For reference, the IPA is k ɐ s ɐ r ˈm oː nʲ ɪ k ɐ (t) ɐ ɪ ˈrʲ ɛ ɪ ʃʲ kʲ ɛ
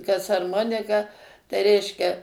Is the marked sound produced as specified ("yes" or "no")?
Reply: yes